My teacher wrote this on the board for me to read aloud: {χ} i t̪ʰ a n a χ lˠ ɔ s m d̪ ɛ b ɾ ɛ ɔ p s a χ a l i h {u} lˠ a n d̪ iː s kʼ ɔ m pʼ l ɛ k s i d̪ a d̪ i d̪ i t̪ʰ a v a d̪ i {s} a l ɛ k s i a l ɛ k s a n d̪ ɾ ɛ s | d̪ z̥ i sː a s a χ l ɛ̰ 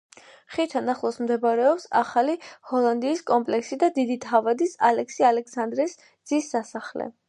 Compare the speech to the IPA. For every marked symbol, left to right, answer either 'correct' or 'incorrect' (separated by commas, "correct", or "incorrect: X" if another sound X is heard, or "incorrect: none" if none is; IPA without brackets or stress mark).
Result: correct, incorrect: ɔ, correct